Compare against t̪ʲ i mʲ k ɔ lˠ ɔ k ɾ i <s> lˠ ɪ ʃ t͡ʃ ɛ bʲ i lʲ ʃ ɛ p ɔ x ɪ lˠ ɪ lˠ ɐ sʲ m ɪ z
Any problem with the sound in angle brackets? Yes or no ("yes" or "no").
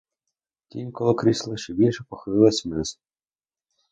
no